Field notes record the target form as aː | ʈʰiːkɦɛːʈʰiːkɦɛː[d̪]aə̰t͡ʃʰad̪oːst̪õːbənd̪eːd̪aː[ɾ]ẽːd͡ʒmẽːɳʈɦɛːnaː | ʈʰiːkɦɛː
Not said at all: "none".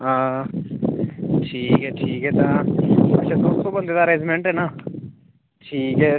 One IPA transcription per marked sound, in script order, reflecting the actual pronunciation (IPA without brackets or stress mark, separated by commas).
t̪, ɾ